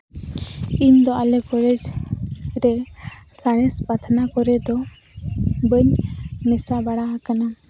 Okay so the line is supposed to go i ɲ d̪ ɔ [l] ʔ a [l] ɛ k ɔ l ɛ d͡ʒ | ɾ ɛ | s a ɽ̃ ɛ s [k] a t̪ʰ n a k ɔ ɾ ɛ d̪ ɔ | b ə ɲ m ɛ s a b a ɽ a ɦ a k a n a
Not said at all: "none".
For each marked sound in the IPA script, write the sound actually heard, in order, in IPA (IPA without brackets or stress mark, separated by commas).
none, l, p